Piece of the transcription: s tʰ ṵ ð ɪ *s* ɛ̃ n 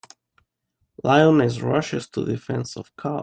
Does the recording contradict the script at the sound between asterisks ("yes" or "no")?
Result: yes